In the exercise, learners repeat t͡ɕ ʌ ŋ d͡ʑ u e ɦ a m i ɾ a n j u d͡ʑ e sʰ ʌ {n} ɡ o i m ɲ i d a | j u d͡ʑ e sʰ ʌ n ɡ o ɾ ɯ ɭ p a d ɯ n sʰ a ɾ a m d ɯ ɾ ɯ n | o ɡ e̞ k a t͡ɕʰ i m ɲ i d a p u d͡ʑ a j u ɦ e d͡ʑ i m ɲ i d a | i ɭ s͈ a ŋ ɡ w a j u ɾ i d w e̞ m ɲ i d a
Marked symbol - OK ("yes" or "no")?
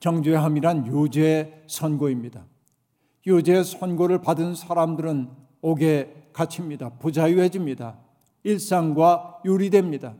yes